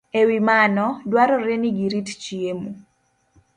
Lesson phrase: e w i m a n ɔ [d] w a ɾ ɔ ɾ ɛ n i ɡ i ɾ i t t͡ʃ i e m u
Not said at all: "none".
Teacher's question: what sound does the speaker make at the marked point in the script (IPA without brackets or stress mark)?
d